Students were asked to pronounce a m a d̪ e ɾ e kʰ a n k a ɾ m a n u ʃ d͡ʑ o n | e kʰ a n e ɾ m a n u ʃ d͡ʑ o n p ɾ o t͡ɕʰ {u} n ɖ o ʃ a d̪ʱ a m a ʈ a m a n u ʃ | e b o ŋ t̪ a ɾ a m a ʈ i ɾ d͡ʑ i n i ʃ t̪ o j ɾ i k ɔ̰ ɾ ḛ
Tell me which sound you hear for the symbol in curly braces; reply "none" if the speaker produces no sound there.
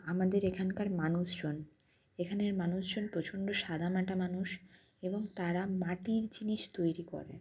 o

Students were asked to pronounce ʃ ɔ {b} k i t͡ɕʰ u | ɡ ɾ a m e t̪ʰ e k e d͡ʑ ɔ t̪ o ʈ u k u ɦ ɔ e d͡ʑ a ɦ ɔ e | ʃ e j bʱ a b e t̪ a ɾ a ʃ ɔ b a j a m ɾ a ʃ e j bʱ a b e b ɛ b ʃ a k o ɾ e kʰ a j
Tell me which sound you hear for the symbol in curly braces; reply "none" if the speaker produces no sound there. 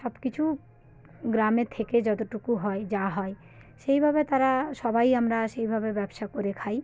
b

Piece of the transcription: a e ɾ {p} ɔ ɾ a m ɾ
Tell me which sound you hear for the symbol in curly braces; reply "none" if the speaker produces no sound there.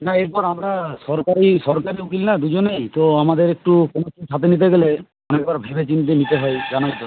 p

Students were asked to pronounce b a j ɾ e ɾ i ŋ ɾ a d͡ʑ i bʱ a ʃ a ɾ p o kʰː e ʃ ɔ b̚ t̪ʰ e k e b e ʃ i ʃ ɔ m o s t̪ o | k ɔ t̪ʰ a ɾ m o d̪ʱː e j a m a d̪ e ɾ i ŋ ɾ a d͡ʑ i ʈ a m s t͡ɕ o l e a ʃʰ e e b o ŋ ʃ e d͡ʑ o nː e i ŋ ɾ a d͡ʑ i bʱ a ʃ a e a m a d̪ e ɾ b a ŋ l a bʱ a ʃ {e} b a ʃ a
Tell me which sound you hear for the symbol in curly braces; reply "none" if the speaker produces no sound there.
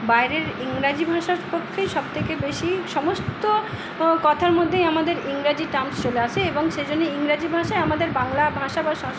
a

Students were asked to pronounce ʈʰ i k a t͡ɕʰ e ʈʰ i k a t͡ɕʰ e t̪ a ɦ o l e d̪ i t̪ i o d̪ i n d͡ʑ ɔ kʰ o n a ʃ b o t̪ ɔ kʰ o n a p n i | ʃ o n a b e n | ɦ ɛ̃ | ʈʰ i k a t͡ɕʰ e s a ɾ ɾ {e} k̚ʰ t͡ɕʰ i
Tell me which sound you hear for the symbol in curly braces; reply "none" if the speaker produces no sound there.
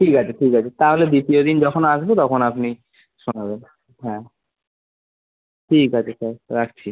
a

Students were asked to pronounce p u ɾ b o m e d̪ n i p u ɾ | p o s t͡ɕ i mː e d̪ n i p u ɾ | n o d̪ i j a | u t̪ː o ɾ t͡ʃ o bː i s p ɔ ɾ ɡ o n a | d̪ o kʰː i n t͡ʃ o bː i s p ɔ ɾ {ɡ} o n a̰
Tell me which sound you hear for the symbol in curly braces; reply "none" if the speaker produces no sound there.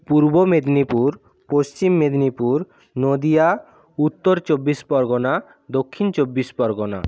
ɡ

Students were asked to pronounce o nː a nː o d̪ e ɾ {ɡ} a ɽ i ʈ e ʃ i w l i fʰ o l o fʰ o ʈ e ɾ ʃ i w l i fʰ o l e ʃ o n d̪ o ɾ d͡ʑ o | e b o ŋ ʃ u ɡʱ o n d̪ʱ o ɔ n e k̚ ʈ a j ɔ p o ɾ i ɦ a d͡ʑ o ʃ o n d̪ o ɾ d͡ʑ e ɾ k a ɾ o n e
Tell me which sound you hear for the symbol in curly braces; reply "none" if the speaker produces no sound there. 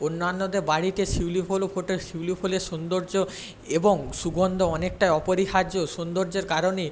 b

